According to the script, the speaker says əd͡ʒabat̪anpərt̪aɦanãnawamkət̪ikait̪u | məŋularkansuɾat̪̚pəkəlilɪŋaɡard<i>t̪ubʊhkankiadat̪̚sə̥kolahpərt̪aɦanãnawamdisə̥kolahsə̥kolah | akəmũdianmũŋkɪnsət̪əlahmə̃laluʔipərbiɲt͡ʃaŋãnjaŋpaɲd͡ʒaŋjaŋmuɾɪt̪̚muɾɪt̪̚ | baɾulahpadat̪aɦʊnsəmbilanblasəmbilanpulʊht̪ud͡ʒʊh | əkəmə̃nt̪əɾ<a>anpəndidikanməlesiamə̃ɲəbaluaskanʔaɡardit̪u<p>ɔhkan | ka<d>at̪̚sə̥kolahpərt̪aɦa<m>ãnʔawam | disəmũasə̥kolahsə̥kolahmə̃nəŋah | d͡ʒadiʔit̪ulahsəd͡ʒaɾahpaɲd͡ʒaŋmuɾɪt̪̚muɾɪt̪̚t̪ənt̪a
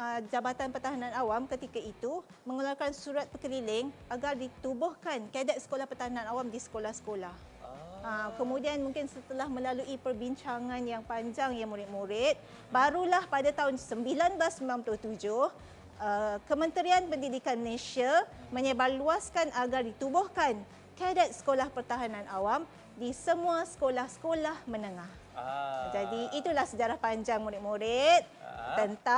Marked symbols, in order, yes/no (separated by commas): yes, no, no, yes, no